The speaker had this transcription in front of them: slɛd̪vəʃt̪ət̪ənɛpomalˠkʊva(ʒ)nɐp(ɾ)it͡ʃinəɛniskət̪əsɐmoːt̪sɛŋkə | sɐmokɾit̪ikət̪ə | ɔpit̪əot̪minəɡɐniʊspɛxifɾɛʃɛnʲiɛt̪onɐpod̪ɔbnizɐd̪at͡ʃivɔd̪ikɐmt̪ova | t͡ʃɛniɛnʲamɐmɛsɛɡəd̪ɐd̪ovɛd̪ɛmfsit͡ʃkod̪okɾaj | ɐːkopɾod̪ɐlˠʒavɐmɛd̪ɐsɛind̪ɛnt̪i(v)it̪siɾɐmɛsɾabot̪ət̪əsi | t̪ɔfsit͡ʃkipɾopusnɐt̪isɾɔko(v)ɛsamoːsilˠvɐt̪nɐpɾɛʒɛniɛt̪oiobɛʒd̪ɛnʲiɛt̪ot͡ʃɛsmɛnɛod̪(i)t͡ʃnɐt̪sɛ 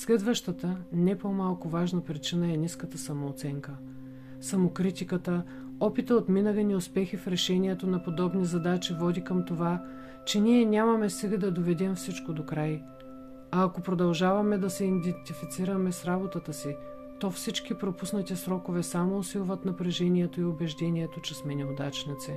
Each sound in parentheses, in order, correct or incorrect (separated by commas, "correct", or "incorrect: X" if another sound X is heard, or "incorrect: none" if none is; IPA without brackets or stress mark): correct, correct, incorrect: f, correct, incorrect: a